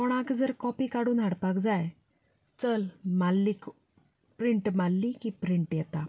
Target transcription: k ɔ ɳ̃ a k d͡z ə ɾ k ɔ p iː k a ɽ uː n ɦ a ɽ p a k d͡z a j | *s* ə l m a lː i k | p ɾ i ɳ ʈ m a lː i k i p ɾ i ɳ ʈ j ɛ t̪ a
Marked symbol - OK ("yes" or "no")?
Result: no